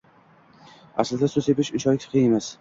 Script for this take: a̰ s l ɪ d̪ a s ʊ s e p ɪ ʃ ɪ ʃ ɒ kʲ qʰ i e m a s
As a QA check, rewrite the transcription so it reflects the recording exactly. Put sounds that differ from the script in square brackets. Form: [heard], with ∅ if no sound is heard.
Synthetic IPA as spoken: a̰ s l ɪ d̪ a s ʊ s e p ɪ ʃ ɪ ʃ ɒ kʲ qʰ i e m a s